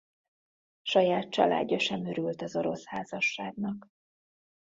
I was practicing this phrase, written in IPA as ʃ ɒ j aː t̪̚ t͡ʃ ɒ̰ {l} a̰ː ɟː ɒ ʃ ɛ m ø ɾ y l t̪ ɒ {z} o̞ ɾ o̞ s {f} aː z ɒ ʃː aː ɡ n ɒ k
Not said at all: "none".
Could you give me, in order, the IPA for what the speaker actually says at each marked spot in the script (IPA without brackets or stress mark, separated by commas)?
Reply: l, z, h